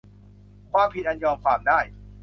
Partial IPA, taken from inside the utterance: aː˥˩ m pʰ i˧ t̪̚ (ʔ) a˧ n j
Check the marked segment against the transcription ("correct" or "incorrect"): correct